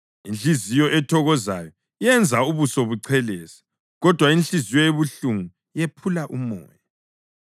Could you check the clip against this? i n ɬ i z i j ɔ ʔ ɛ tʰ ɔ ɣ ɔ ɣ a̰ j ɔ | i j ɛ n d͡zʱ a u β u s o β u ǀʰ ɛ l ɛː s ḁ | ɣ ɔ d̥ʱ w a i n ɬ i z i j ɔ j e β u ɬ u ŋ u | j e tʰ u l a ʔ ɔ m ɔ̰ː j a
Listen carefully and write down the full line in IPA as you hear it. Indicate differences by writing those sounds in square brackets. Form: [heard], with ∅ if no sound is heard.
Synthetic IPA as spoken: i n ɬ i z i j ɔ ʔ ɛ tʰ ɔ ɣ ɔ [z] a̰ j ɔ | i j ɛ n d͡zʱ a u β u s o β u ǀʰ ɛ l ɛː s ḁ | ɣ ɔ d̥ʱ w a i n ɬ i z i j ɔ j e β u ɬ u ŋ u | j e [pʰ] u l a ʔ [u] m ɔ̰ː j a